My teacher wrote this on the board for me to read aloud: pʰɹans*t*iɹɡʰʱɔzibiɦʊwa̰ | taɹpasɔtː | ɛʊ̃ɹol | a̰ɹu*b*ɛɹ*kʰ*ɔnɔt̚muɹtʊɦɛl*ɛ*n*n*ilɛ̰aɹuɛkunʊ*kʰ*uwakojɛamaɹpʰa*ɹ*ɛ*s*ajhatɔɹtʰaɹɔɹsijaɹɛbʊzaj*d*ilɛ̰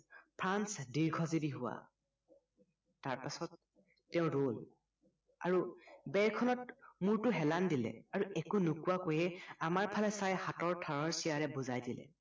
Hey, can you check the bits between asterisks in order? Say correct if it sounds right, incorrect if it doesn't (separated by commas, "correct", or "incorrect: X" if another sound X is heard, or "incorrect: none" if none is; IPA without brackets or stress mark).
incorrect: d, correct, correct, incorrect: a, incorrect: d, incorrect: k, incorrect: l, correct, correct